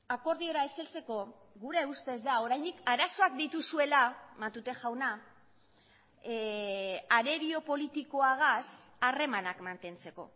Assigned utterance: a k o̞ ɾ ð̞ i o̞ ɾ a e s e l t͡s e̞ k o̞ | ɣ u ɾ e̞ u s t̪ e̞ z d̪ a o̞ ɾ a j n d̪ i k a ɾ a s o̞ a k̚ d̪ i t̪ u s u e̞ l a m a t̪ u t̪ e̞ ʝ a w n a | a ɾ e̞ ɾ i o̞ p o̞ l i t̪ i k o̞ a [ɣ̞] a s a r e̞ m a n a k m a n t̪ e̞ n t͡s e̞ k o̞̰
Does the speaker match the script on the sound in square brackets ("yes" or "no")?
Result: yes